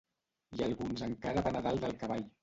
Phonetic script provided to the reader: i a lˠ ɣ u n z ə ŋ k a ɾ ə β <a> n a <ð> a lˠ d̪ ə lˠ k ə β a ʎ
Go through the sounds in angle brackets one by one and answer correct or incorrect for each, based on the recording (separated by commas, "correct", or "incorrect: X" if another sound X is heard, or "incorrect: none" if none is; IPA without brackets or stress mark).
correct, correct